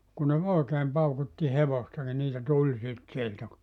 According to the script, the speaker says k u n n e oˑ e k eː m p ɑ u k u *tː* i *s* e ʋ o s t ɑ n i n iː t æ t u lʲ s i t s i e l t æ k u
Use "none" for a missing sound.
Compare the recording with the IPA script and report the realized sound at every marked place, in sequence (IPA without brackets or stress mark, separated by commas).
tː, h